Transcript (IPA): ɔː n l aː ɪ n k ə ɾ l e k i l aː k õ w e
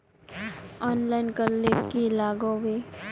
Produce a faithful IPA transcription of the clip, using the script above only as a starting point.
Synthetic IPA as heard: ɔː n l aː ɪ n k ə ɾ l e k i l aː ɡ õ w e

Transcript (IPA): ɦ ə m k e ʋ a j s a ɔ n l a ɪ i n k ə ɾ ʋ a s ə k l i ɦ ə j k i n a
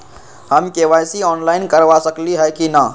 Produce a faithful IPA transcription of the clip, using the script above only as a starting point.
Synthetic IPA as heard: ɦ ə m k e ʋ a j s i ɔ n l a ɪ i n k ə ɾ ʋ a s ə k l i ɦ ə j k i n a

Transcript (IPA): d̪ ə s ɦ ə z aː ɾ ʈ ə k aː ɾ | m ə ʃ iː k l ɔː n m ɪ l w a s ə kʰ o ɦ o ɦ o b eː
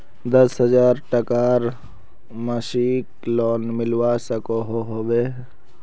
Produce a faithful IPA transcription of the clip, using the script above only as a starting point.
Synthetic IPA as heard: d̪ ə s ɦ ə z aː ɾ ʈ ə k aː ɾ | m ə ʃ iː k l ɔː n m ɪ l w a s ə k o ɦ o ɦ o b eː

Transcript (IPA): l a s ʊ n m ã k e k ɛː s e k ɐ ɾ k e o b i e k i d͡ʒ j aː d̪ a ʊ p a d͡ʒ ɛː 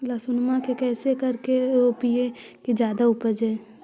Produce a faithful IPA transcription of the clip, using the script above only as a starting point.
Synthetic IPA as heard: l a s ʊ n m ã k e k ɛː s e k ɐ ɾ k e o p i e k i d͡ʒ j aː d̪ a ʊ p ə d͡ʒ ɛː

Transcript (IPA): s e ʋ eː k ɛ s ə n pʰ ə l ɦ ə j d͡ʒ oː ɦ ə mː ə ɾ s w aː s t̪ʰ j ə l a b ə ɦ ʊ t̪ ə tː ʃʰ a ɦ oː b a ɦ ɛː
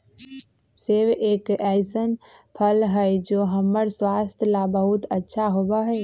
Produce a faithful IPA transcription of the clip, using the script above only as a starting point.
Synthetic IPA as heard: s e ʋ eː k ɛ s ə n pʰ ə l ɦ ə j d͡ʒ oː ɦ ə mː ə ɾ s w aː s t̪ʰ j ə l a b ə ɦ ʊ t̪ ə tː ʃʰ a ɦ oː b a ɦ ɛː

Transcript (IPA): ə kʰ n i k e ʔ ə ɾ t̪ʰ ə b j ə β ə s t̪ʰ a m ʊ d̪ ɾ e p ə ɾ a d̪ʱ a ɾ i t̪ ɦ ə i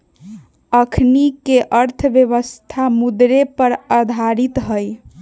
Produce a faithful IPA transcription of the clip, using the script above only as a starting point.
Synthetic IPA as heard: ə kʰ n i k e ʔ ə ɾ t̪ʰ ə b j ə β ə s t̪ʰ a m u d̪ ɾ e p ə ɾ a d̪ʱ a ɾ i t̪ ɦ ə j

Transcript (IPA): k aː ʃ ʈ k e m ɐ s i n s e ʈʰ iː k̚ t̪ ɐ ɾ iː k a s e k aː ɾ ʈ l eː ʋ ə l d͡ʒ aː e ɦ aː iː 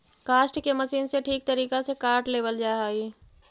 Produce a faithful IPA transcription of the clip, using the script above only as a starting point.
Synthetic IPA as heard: k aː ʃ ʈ k e m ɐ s iː n s e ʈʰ iː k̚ t̪ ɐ ɾ iː k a s e k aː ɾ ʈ l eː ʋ ə l d͡ʒ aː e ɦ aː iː

